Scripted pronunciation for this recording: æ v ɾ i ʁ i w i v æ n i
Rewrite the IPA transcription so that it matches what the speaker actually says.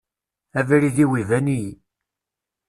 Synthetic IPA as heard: æ v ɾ i ð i w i v æ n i